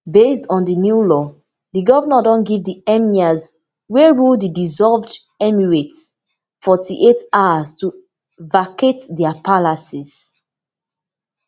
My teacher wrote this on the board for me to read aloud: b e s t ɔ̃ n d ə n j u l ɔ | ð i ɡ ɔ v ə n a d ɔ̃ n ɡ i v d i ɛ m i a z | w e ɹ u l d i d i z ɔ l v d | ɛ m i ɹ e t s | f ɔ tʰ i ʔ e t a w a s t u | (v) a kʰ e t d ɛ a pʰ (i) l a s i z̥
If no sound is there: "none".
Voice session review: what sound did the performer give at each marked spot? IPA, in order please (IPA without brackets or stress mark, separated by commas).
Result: v, a